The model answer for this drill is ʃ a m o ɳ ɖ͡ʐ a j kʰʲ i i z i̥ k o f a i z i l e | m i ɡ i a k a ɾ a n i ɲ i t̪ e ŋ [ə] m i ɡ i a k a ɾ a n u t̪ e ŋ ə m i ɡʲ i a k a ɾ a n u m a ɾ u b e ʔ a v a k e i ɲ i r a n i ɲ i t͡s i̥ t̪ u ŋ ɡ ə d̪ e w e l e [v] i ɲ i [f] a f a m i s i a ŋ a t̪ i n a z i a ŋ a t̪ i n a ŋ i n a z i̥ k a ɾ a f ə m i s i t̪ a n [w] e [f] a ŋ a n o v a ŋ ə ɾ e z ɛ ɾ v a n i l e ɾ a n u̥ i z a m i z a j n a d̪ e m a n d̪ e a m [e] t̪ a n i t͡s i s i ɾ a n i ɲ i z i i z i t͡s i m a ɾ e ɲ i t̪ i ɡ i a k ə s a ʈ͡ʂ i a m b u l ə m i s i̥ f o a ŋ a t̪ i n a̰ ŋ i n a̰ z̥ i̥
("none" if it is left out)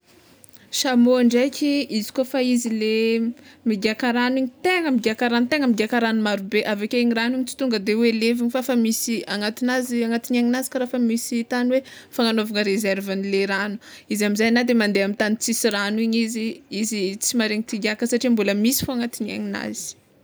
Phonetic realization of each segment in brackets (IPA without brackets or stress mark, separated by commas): ə, v, f, w, f, i